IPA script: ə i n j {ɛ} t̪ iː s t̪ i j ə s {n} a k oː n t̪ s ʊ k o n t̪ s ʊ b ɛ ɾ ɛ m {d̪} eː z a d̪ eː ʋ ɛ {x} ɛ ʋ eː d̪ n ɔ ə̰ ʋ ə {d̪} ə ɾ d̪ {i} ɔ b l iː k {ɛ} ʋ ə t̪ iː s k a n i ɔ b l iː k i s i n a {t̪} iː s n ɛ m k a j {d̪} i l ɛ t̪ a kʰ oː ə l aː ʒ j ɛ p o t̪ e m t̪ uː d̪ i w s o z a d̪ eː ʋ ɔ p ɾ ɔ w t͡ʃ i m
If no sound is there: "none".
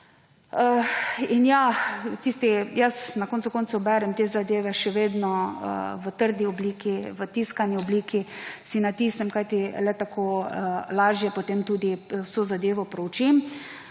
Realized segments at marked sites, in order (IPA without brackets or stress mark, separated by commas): a, n, t̪, ʃ, t̪, i, i, t̪, t̪